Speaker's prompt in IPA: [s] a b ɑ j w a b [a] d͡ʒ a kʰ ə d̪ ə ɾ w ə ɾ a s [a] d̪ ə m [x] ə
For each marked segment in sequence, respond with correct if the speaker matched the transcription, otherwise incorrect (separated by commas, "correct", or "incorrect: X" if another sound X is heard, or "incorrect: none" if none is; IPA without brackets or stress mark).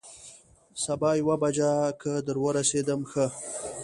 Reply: correct, correct, incorrect: e, correct